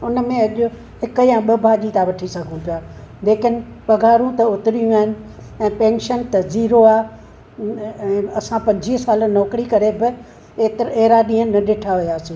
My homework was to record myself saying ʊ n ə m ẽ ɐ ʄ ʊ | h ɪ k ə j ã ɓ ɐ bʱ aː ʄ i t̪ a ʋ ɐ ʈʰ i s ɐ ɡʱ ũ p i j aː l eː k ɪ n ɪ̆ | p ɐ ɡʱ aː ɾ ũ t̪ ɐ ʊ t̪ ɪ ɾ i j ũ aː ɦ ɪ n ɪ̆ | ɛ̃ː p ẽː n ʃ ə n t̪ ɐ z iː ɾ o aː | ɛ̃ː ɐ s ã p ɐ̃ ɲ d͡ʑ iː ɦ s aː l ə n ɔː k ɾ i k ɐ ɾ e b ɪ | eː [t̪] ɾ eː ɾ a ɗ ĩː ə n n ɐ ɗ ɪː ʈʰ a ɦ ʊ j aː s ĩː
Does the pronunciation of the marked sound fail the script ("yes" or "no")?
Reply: no